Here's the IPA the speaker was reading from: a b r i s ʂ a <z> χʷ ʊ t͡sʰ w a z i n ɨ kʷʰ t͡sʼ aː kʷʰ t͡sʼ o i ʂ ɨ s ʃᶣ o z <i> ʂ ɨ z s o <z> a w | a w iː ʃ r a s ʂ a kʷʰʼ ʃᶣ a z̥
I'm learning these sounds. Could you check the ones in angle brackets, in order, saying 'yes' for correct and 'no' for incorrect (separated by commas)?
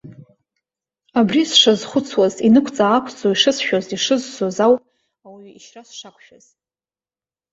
yes, yes, yes